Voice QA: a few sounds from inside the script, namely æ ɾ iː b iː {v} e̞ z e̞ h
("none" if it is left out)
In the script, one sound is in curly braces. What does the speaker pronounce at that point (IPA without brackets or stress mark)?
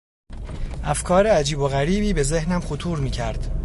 b